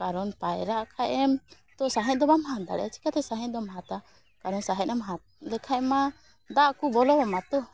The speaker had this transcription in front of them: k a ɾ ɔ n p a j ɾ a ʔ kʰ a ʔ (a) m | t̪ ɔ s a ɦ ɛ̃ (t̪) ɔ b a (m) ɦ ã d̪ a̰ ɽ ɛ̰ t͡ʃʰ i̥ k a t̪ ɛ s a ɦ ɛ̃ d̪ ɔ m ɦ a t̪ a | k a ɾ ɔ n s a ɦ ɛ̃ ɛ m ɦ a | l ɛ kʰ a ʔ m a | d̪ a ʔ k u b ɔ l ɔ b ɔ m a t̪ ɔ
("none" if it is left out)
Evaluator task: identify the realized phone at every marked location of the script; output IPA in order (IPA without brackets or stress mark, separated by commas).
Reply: ɛ, d̪, m